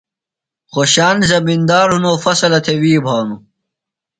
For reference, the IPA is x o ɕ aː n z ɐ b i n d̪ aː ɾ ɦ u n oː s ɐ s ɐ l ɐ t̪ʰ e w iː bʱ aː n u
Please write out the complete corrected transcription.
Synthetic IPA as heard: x o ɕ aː n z ɐ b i n d̪ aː ɾ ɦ u n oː f ɐ s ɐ l ɐ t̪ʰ e w iː bʱ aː n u